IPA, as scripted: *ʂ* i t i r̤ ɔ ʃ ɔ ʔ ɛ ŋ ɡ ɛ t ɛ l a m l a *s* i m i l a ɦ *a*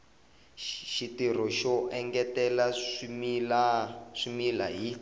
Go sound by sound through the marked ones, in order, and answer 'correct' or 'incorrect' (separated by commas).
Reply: incorrect, incorrect, incorrect